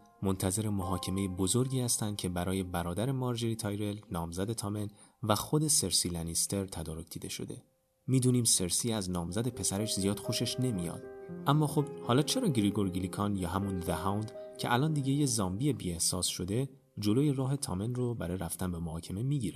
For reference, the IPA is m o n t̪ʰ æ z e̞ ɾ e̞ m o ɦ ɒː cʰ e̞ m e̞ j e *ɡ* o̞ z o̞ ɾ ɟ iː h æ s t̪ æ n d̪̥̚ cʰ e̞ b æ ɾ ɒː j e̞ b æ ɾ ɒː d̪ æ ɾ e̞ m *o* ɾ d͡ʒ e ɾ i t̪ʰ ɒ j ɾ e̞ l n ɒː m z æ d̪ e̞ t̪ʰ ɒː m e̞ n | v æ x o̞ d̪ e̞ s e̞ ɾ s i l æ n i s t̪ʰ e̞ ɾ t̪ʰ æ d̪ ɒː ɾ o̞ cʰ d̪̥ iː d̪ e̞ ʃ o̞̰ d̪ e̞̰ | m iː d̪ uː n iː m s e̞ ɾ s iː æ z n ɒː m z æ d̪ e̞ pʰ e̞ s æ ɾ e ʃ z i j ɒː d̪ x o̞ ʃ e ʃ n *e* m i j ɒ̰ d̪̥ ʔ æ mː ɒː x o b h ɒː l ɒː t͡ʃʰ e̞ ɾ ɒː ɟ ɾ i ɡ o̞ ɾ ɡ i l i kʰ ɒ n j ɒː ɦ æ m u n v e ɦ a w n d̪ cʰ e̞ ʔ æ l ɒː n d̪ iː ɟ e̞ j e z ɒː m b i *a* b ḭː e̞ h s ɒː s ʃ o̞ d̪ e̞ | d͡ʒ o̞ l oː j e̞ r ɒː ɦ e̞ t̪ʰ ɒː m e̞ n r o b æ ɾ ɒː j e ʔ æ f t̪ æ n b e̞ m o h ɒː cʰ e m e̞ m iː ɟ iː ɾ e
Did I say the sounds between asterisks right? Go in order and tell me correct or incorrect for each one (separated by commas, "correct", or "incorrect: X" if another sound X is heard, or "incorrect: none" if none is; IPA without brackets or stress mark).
incorrect: b, incorrect: ɒ, correct, incorrect: e